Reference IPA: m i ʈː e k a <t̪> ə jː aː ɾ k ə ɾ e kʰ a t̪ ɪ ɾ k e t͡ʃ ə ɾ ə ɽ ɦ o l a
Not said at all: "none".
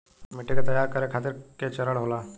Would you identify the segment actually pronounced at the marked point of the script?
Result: t̪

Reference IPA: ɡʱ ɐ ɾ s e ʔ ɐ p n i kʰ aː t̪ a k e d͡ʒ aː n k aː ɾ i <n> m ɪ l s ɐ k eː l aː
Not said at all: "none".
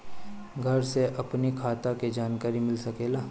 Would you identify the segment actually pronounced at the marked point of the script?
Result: none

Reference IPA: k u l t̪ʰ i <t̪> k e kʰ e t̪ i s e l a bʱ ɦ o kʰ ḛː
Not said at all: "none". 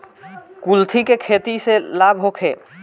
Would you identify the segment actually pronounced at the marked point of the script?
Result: none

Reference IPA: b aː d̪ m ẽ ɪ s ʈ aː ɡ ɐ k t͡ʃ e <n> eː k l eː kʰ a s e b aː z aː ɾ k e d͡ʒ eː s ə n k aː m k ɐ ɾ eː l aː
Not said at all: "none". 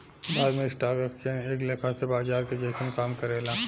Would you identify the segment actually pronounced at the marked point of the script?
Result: n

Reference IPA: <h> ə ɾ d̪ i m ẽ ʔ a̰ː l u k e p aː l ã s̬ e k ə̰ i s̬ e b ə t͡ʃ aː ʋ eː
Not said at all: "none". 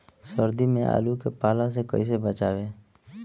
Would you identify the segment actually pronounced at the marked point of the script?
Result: s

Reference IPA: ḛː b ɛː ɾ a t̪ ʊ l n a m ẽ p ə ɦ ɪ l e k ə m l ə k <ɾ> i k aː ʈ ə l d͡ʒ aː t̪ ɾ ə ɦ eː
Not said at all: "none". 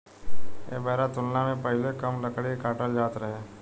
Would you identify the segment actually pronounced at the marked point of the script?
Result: ɽ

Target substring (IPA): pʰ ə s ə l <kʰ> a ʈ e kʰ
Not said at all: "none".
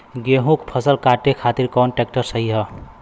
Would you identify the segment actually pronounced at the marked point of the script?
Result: k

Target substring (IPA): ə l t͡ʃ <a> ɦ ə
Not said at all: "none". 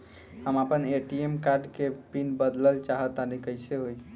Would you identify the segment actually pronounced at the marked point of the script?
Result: a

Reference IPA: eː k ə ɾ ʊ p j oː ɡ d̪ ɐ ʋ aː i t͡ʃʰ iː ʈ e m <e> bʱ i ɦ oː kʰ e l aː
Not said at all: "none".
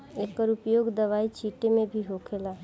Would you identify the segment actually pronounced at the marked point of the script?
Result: ẽ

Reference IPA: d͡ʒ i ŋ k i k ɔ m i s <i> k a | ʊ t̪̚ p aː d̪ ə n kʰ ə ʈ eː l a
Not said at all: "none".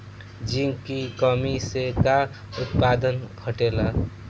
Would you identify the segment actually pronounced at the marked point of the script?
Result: e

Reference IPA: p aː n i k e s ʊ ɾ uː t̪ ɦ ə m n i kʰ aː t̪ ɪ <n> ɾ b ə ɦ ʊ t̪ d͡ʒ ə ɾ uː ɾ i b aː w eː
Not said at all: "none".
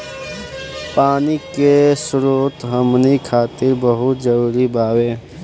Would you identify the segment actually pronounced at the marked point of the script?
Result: none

